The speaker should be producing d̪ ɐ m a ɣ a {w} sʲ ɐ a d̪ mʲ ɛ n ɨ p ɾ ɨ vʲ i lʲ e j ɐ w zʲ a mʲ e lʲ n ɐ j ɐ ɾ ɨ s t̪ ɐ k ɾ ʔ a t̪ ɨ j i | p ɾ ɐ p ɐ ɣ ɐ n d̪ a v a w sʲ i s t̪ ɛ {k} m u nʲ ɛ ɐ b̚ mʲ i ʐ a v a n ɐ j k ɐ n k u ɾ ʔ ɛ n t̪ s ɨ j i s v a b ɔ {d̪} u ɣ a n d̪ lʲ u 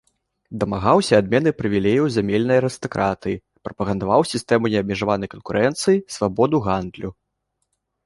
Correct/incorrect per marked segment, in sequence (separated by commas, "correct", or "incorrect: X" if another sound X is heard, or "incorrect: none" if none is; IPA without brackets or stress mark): correct, incorrect: none, correct